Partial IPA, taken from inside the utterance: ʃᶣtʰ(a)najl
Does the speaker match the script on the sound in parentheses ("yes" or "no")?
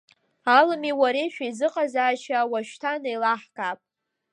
yes